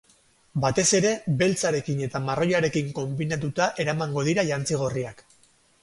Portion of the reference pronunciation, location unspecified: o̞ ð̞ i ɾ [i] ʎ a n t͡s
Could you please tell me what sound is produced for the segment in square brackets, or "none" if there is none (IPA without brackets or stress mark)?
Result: a